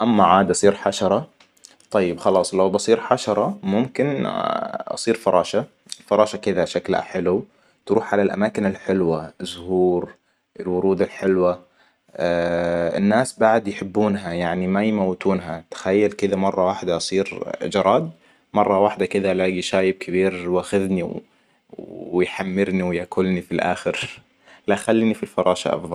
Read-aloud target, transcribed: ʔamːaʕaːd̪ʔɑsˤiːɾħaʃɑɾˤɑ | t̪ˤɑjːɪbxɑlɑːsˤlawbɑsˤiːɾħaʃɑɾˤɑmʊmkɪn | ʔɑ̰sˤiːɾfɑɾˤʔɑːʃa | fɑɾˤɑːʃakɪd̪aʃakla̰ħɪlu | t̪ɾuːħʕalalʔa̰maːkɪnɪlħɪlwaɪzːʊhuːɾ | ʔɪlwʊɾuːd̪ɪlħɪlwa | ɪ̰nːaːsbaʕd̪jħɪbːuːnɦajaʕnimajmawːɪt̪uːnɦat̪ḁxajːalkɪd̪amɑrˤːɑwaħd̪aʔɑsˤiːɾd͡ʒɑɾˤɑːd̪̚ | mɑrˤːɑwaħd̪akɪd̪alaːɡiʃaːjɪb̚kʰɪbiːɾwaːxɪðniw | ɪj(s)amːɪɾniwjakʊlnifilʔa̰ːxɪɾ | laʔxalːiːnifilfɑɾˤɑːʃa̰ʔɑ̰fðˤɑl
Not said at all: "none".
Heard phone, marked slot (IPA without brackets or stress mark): ħ